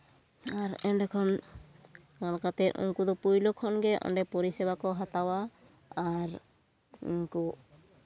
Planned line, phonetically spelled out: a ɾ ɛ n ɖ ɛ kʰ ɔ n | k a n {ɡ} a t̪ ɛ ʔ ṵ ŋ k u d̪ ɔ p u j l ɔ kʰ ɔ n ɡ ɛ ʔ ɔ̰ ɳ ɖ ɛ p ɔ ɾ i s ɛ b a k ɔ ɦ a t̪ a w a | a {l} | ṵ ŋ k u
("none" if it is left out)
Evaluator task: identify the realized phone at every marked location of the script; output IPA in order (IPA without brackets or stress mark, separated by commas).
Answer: k, ɾ